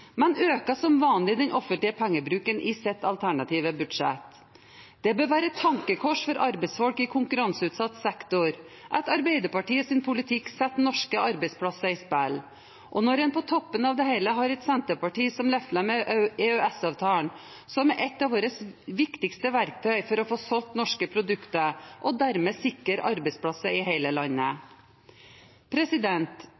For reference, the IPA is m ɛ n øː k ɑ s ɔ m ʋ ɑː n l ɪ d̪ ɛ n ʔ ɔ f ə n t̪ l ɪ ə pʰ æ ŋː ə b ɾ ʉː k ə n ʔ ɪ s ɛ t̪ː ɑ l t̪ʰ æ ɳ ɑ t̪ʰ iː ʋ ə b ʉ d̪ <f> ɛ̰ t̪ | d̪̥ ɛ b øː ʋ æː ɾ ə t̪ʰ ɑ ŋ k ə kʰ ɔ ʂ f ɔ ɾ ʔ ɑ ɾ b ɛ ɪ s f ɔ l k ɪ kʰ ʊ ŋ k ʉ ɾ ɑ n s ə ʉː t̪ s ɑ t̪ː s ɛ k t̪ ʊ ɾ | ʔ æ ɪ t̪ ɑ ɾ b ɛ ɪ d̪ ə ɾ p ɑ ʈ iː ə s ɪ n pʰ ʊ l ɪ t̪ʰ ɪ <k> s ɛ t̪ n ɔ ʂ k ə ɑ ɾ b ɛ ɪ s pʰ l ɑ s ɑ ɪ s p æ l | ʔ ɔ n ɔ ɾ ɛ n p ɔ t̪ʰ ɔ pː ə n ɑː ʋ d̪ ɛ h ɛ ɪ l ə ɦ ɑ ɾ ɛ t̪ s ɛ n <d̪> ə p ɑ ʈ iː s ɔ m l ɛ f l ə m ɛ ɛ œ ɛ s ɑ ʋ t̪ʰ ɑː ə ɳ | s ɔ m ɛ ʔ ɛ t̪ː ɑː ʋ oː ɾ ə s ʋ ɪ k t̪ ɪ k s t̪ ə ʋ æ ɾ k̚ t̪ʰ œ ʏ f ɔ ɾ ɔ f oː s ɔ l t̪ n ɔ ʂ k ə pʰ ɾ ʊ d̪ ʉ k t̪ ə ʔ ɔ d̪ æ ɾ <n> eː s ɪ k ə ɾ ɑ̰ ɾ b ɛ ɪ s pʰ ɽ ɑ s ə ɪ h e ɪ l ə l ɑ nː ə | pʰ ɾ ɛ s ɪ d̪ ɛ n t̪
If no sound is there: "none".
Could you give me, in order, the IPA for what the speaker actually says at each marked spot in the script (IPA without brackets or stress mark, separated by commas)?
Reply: ʂ, k, t̪, m